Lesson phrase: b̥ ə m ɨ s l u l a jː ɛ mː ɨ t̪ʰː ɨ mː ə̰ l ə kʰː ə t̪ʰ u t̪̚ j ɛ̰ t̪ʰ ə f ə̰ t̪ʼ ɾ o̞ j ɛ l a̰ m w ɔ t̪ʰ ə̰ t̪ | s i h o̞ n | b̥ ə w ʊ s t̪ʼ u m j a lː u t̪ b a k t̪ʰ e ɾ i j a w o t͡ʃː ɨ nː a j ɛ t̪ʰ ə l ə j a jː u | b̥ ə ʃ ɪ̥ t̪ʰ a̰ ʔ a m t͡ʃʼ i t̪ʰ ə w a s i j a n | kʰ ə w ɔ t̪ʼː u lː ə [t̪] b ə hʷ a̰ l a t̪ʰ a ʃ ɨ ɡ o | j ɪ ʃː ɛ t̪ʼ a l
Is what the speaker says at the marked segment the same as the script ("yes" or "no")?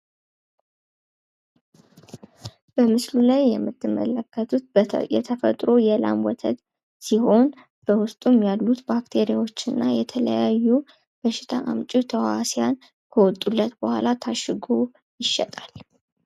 yes